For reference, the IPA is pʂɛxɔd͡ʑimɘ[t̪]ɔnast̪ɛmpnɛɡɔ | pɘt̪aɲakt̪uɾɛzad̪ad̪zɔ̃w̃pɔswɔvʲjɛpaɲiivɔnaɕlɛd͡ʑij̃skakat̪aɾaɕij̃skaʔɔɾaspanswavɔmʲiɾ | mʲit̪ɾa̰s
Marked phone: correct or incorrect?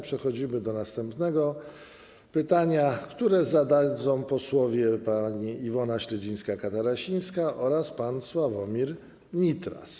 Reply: incorrect